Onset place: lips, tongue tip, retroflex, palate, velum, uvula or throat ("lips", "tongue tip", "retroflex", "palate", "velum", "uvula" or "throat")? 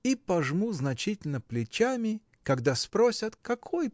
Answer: lips